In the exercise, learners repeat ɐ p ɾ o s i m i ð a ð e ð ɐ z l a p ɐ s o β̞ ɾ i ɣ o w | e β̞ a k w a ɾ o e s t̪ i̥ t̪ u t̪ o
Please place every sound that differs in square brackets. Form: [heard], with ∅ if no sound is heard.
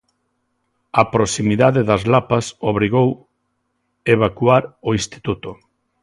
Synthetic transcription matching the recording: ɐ p ɾ o s i m i ð a ð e ð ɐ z l a p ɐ s o β̞ ɾ i ɣ o w | e β̞ a k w a ɾ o [i] s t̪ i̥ t̪ u t̪ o